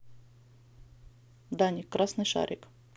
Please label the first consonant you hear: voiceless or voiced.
voiced